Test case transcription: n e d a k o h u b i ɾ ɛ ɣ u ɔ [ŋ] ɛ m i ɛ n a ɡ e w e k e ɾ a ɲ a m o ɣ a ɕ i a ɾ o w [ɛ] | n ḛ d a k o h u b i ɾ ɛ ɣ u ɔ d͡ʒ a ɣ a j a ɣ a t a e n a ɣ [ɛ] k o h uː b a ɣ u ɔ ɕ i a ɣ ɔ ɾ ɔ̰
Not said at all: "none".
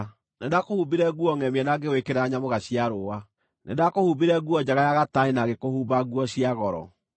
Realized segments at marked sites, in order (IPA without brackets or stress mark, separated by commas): ŋ, a, e